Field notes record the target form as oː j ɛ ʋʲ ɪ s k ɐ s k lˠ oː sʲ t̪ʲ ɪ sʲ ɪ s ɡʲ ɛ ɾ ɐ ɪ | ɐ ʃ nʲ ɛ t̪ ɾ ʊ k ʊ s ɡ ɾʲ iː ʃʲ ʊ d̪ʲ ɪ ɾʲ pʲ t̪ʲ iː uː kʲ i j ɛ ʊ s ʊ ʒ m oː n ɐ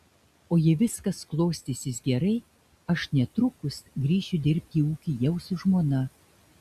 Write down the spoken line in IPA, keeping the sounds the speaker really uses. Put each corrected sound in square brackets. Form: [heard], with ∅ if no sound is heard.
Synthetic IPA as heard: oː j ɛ ʋʲ ɪ s k ɐ s k lˠ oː sʲ t̪ʲ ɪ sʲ ɪ s ɡʲ ɛ ɾ ɐ ɪ | ɐ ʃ nʲ ɛ t̪ ɾ ʊ k ʊ s ɡ ɾʲ iː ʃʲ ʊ d̪ʲ ɪ ɾʲ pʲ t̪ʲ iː uː kʲ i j ɛ ʊ s ʊ ʒ m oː n ɐ